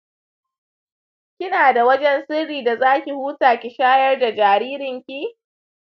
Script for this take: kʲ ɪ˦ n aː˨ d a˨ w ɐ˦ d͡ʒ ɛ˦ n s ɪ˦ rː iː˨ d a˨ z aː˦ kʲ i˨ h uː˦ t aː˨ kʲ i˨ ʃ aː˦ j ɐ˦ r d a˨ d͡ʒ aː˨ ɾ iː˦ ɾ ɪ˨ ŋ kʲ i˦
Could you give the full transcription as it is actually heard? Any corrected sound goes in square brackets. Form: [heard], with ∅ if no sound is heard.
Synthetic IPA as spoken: kʲ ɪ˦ n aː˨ d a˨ w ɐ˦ d͡ʒ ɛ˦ n s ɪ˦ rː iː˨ d a˨ z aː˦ kʲ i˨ h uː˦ t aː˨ kʲ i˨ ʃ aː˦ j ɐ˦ r d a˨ d͡ʒ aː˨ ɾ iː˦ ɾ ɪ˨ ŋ kʲ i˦